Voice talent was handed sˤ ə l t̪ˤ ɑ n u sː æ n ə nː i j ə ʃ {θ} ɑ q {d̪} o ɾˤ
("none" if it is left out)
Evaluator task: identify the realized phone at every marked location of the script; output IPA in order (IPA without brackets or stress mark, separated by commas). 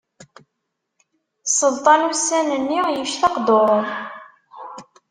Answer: θ, d̪